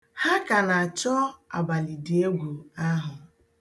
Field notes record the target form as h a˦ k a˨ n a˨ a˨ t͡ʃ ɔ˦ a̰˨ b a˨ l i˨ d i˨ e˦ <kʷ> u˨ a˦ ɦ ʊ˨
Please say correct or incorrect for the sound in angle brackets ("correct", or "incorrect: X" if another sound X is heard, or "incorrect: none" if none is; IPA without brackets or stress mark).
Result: incorrect: ɡʷ